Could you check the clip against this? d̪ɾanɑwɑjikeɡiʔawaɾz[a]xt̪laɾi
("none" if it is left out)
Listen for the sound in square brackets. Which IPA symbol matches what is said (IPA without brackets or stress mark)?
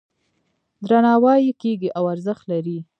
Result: ə